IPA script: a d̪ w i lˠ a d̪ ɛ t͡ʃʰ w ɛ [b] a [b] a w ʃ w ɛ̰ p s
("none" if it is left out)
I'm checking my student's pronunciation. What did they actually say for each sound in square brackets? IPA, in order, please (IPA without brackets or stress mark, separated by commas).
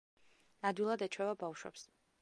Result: v, b